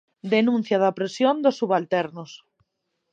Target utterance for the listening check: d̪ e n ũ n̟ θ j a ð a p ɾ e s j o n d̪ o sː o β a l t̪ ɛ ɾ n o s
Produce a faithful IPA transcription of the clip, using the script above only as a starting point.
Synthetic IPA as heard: d̪ e n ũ n̟ θ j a ð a p ɾ e s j o n d̪ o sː u β a l t̪ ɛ ɾ n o s